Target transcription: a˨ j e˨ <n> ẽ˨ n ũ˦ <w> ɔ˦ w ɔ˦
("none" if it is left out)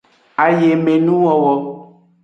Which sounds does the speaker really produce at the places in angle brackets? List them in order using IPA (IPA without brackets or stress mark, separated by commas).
m, w